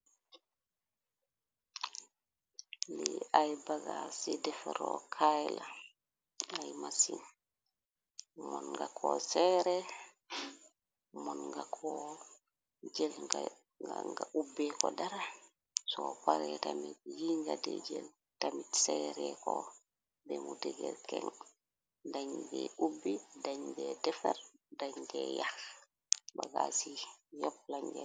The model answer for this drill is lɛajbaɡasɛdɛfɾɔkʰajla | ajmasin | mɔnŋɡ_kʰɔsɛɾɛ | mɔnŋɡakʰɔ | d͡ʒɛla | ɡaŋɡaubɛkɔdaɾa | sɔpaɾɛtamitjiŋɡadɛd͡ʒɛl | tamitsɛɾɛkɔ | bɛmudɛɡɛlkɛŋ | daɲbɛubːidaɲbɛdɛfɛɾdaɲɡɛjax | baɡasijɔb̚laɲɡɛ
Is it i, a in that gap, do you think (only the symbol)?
a